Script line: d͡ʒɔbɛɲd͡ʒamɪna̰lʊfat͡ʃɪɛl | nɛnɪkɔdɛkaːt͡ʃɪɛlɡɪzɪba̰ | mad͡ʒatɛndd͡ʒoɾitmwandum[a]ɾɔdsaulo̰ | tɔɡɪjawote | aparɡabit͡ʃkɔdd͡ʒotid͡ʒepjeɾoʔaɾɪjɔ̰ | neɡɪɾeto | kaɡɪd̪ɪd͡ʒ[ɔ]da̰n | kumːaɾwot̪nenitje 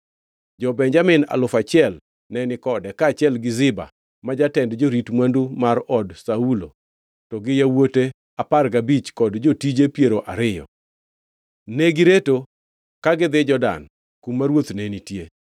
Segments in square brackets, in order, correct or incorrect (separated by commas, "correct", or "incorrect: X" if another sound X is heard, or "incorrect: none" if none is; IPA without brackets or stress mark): correct, correct